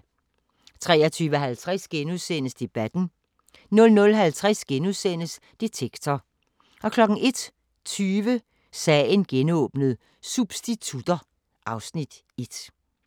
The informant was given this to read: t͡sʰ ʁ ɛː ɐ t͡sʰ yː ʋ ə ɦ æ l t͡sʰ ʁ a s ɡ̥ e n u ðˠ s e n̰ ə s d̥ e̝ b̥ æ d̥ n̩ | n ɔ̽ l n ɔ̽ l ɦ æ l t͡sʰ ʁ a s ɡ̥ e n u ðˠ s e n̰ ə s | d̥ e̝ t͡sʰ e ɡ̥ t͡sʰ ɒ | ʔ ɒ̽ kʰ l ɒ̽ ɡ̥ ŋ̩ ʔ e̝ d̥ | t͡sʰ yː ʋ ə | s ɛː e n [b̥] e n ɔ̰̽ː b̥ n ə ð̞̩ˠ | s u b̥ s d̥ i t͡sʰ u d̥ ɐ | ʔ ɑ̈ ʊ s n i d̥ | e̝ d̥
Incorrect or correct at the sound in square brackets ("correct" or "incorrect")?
incorrect